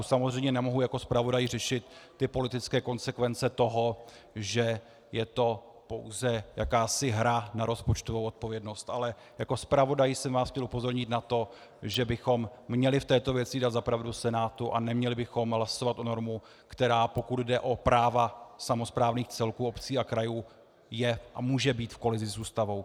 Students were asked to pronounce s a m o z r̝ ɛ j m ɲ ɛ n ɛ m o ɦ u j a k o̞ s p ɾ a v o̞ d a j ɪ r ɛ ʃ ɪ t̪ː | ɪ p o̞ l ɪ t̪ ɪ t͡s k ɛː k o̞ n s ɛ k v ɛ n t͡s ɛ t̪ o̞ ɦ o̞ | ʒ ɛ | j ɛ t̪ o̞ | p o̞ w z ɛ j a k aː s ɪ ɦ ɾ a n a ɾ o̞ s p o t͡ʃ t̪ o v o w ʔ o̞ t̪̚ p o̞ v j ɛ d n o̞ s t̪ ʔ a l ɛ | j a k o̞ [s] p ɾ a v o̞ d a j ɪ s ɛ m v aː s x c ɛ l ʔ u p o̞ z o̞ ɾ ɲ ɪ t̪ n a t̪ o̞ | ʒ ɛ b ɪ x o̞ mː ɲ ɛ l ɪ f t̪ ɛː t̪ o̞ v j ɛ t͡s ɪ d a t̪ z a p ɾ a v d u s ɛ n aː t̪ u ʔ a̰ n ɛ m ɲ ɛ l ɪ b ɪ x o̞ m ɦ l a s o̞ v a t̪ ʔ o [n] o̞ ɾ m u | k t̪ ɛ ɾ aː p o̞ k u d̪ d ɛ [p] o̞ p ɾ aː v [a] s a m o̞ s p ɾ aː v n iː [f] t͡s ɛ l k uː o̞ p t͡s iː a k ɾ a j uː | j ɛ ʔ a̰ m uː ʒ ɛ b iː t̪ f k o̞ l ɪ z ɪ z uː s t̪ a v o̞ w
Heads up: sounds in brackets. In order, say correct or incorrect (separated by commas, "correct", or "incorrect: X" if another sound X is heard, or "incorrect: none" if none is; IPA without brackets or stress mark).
correct, correct, incorrect: ʔ, correct, incorrect: x